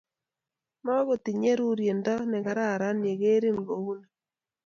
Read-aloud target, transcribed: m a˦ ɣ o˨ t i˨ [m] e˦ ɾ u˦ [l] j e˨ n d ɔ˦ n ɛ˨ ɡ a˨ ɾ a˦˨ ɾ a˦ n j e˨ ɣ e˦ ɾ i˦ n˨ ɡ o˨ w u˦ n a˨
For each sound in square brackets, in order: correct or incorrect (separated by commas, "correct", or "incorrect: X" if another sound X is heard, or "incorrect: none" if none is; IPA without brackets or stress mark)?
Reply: incorrect: ɲ, incorrect: ɾ